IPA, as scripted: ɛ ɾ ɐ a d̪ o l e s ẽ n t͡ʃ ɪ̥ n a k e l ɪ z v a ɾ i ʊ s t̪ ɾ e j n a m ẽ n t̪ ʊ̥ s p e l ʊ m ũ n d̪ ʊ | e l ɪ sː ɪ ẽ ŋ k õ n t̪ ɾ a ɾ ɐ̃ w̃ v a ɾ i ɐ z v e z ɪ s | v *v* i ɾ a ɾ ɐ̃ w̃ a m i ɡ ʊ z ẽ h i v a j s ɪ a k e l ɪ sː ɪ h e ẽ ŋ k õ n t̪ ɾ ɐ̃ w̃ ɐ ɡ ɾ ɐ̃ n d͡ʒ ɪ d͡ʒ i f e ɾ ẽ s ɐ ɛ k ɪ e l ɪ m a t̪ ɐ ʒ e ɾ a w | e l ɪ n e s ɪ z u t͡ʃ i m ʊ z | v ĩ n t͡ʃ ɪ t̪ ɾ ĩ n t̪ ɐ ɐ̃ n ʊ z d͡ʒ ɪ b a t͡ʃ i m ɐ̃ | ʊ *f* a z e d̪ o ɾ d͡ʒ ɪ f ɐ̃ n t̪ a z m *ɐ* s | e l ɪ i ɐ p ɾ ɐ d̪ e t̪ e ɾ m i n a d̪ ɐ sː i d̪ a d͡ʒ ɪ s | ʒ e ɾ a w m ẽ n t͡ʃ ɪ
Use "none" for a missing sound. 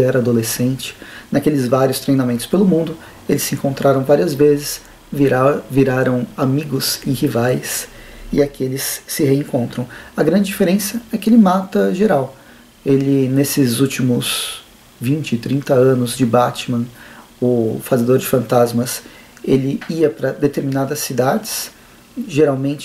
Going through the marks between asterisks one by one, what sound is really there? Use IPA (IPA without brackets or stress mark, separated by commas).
v, f, ɐ